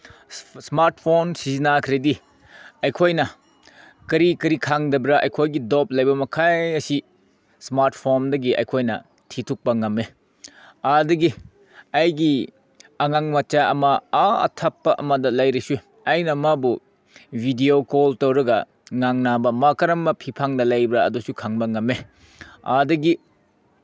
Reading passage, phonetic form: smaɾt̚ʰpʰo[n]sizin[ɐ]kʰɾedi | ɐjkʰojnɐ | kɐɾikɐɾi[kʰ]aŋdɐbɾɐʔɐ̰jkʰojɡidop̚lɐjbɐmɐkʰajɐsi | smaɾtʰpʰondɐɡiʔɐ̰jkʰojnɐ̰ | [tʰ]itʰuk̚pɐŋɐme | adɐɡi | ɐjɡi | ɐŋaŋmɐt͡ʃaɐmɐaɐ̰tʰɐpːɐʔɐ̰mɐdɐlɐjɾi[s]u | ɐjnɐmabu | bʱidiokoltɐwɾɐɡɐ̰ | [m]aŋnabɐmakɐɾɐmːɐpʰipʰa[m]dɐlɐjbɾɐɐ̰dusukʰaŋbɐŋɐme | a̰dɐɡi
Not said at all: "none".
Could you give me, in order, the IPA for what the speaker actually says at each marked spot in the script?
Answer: n, a, kʰ, tʰ, s, ŋ, ŋ

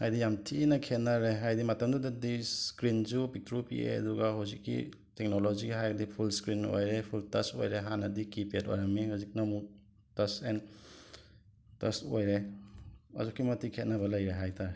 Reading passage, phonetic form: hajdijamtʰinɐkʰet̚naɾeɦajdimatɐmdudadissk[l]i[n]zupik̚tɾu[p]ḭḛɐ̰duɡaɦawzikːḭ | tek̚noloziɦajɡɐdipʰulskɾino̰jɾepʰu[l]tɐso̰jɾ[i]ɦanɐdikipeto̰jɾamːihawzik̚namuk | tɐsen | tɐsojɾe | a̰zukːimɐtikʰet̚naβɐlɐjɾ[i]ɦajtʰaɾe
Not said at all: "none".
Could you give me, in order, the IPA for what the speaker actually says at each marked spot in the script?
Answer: ɾ, n, p, l, e, e

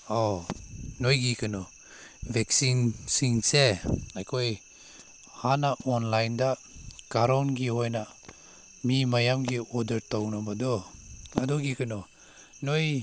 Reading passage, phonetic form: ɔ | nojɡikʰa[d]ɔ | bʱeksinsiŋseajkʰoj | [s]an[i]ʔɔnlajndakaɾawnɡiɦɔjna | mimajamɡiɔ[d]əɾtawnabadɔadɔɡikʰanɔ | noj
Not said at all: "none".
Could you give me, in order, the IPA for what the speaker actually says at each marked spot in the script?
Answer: n, h, a, d

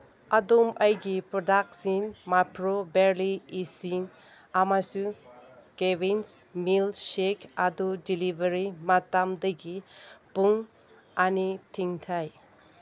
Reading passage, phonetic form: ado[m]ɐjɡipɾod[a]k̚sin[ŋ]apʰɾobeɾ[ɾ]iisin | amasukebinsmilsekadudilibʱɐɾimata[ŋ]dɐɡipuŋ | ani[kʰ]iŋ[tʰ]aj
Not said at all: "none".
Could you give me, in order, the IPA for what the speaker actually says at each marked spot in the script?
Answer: m, a, m, l, m, tʰ, tʰ

